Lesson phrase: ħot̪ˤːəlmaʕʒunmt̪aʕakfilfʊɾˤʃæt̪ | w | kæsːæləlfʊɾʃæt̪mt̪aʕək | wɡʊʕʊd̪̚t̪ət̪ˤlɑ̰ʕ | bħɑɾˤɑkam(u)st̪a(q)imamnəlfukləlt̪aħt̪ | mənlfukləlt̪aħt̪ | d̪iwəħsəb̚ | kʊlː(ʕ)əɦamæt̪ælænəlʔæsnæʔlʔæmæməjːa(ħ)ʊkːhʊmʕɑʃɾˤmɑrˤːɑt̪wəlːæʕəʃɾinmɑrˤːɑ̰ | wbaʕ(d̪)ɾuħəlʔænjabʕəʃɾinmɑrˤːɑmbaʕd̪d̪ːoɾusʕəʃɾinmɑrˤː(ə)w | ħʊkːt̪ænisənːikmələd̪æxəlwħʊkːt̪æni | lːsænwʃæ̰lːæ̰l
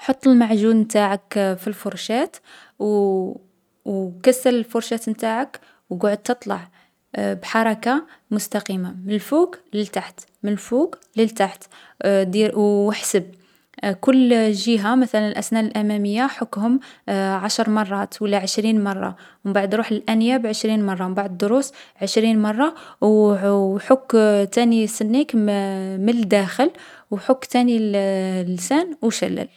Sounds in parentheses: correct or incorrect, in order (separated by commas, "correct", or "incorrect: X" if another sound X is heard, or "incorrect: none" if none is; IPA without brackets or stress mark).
incorrect: ʊ, correct, incorrect: ʒ, correct, correct, incorrect: ɑ